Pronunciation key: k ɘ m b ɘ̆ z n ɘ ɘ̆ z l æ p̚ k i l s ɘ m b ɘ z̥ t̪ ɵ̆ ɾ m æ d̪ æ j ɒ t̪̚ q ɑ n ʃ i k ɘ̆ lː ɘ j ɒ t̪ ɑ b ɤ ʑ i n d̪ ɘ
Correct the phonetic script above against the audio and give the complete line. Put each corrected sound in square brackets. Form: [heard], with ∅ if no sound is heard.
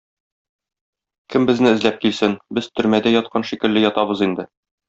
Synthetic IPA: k ɘ m b ɘ̆ z n ɘ ɘ̆ z l æ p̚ k i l s ɘ [n] b ɘ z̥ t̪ ɵ̆ ɾ m æ d̪ æ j ɒ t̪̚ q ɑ n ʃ i k ɘ̆ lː ɘ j ɒ t̪ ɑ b ɤ [z] i n d̪ ɘ